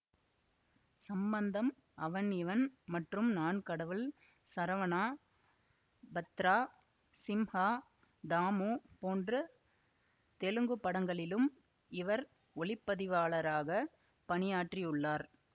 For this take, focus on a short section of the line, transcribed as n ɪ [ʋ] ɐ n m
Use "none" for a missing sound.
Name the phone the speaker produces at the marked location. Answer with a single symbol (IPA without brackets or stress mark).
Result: ʋ